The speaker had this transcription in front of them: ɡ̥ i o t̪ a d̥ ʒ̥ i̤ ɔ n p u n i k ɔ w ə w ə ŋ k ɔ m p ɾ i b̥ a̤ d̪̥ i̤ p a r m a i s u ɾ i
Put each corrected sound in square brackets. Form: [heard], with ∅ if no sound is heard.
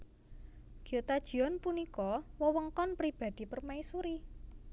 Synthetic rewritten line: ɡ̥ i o t̪ a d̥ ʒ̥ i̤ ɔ n p u n i k ɔ w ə w ə ŋ k ɔ [n] p ɾ i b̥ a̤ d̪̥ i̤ p [ə] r m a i s u ɾ i